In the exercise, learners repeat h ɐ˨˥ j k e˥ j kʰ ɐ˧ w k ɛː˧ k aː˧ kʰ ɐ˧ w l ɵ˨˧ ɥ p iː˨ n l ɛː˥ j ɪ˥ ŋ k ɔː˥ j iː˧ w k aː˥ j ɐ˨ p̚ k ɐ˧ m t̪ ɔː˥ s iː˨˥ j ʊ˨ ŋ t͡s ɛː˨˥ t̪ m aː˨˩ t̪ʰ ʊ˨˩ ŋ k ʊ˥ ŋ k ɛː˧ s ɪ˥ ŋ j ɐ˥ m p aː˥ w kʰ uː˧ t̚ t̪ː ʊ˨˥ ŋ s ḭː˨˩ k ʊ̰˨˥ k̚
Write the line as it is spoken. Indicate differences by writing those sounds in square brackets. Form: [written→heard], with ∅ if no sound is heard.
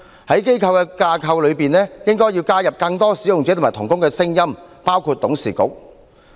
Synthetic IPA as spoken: h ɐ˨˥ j k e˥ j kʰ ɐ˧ w k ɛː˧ k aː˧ kʰ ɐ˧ w l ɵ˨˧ ɥ p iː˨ n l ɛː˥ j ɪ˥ ŋ k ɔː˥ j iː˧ w k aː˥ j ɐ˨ p̚ k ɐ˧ [m→ŋ] t̪ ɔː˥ s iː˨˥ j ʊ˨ ŋ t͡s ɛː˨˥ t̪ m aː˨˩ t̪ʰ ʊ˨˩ ŋ k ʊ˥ ŋ k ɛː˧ s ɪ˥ ŋ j ɐ˥ m p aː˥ w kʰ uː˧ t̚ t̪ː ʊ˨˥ ŋ s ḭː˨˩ k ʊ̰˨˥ k̚